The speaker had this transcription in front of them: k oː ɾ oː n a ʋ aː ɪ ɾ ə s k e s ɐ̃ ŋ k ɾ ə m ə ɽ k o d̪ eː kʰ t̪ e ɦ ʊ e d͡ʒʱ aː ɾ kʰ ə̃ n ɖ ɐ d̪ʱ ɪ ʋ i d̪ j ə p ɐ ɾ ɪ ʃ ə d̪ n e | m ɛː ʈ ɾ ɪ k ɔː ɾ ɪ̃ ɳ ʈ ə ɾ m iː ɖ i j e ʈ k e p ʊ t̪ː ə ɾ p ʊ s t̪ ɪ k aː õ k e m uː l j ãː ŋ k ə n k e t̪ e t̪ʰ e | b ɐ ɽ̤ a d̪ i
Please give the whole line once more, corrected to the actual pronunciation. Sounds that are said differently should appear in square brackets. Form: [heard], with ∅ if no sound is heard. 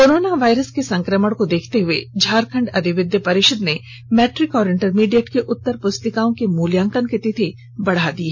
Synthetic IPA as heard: k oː ɾ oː n a ʋ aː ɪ ɾ ə s k e s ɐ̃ ŋ k ɾ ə m ə ɽ k o d̪ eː kʰ t̪ e ɦ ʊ e d͡ʒʱ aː ɾ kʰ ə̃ [ɳ] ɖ ɐ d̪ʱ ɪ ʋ [ɪ] d̪ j ə p ɐ ɾ ɪ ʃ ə d̪ n e | m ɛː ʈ ɾ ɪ k ɔː ɾ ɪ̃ ɳ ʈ ə ɾ m iː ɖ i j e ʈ k e [ʔ] ʊ t̪ː ə ɾ p ʊ s t̪ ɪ k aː õ k e m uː l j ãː ŋ k ə n k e t̪ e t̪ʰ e | b ɐ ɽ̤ a d̪ i